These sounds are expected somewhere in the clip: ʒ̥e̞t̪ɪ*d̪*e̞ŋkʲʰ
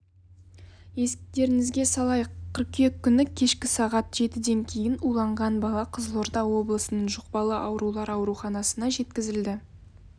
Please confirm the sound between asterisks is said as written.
yes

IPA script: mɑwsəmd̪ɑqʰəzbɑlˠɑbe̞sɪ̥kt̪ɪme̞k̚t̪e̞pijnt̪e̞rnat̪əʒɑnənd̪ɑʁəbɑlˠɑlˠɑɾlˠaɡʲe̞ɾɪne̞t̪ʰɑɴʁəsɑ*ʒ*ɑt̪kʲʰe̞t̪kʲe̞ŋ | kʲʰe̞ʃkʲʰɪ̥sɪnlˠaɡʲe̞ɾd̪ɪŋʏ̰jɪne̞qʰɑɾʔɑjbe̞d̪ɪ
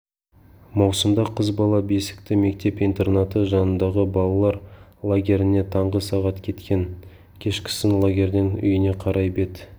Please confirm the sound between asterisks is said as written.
no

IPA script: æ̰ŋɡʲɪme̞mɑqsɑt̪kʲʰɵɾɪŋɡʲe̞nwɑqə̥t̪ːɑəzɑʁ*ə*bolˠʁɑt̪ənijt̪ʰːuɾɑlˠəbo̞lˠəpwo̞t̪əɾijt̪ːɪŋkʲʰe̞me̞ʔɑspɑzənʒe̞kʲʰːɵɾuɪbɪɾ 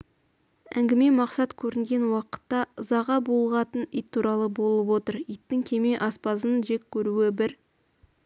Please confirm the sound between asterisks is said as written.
no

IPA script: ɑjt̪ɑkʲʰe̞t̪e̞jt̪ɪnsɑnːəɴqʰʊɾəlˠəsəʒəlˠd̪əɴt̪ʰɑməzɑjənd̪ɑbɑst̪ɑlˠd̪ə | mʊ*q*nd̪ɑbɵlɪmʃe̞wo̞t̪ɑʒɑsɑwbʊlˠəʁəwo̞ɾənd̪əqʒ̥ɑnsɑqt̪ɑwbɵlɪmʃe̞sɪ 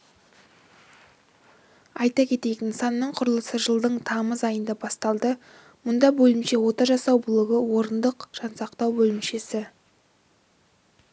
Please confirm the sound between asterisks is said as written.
no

